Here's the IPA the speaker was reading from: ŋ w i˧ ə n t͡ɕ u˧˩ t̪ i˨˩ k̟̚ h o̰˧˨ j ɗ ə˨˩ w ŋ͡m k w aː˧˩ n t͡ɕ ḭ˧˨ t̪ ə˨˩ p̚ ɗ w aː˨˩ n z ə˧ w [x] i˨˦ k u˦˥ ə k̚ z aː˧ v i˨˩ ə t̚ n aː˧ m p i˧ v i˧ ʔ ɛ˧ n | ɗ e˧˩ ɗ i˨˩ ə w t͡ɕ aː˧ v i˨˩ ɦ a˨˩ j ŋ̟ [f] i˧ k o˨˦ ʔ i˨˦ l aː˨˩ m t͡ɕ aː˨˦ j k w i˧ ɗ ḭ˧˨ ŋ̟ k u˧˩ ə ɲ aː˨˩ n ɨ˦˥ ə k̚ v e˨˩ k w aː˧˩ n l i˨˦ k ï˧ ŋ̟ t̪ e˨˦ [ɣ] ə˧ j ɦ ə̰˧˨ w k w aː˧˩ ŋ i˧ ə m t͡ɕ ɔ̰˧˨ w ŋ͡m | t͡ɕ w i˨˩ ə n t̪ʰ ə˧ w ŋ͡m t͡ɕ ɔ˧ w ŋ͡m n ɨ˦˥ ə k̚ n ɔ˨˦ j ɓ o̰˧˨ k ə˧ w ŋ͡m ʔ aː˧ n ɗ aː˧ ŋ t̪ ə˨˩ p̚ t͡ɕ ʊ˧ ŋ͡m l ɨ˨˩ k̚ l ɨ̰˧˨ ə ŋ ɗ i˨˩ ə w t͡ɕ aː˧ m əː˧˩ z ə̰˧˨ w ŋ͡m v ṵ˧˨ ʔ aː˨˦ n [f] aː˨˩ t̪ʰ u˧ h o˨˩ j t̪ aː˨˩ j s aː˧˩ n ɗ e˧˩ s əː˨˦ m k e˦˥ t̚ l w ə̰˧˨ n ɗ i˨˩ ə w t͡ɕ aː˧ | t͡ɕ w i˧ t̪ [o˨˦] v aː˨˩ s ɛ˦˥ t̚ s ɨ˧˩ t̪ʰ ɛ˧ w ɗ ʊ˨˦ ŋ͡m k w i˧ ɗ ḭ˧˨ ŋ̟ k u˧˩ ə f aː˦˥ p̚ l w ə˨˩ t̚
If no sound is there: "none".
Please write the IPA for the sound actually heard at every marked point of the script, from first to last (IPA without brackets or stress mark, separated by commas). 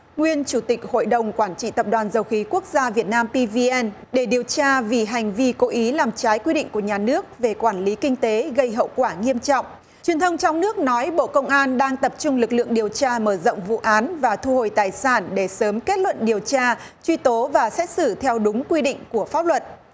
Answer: x, v, ɣ, v, o˨˦